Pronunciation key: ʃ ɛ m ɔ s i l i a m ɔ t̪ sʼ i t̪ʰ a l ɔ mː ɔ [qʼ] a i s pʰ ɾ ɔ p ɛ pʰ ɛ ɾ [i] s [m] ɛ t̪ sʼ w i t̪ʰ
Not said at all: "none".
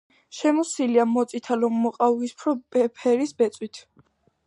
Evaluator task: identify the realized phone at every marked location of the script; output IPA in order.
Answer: qʼ, i, b

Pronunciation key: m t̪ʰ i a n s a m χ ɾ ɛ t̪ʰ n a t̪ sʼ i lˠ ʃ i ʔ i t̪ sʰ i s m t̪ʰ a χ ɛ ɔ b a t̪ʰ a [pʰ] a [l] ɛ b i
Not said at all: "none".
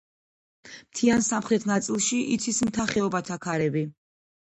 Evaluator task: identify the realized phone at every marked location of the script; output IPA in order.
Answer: kʰ, ɾ

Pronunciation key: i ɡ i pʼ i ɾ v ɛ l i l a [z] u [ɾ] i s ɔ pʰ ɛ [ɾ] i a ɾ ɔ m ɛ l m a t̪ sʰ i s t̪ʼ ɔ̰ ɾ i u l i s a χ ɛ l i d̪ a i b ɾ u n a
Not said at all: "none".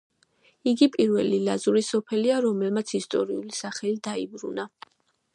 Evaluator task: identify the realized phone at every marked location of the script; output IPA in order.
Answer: z, ɾ, l

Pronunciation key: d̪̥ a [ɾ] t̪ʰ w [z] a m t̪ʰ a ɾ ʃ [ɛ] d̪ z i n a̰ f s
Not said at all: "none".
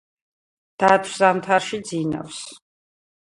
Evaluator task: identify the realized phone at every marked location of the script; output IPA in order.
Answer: none, z, i

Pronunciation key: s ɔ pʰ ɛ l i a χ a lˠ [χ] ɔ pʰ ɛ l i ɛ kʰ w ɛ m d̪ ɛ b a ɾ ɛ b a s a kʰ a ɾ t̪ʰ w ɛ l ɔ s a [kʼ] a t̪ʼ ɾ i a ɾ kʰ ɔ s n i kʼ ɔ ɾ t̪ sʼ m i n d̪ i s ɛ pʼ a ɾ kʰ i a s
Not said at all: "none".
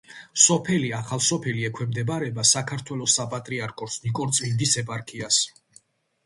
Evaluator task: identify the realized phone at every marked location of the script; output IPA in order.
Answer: s, pʼ

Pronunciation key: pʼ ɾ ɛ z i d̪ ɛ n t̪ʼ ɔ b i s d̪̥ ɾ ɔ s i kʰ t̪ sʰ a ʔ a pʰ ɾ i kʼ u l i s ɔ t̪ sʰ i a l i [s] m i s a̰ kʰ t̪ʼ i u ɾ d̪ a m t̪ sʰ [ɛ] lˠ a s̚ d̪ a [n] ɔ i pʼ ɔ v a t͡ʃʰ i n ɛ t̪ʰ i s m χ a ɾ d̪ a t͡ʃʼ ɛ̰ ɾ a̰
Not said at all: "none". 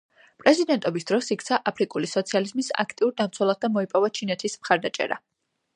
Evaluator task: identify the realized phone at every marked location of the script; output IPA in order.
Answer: z, ɛ, m

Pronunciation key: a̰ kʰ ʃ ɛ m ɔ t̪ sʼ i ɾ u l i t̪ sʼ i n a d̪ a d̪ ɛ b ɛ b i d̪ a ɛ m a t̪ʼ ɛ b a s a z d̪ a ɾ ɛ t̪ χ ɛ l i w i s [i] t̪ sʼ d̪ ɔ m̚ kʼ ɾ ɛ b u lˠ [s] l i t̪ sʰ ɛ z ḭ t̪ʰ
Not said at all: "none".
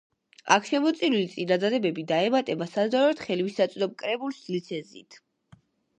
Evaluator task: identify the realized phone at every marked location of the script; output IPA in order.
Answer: a, s

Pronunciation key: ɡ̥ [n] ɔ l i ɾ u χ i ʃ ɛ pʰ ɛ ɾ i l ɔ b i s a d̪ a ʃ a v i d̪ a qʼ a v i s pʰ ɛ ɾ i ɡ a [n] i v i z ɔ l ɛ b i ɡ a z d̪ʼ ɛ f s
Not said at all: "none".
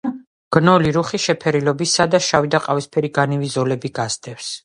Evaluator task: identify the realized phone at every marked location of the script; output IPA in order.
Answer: n, n

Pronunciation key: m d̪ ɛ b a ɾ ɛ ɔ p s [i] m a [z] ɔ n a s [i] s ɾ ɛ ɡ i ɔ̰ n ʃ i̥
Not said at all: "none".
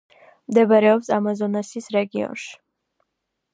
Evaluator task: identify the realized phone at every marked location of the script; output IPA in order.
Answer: a, z, i

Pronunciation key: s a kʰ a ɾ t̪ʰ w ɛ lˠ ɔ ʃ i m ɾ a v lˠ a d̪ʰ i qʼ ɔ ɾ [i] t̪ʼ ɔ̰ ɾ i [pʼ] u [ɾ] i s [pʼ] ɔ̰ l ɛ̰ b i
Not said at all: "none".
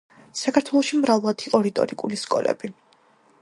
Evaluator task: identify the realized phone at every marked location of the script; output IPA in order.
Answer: i, kʼ, l, kʼ

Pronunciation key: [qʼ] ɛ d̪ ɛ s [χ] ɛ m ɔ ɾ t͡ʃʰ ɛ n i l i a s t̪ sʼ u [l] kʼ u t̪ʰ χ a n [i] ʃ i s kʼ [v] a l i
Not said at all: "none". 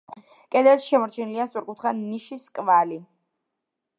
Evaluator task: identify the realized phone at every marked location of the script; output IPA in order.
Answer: kʼ, ʃ, ɾ, i, v

